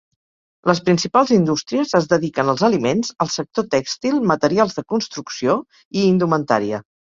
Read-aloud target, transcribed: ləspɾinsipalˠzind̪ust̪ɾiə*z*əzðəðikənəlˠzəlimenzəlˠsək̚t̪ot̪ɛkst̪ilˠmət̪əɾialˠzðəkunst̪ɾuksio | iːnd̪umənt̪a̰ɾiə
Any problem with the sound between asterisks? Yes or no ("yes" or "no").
no